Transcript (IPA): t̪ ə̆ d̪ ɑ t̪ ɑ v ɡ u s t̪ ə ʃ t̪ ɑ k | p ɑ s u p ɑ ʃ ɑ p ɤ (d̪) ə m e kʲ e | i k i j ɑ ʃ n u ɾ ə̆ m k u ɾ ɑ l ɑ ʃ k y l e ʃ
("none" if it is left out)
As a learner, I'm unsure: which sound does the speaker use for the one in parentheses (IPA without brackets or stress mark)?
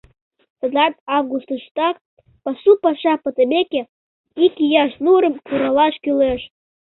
t̪